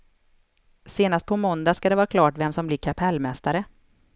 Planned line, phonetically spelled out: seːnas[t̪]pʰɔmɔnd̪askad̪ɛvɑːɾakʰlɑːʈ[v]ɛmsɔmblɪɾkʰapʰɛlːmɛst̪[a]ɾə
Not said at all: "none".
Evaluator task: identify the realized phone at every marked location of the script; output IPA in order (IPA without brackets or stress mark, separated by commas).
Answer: t̪, v, a